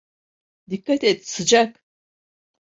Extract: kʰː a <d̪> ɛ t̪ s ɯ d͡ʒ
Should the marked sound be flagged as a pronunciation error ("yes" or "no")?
yes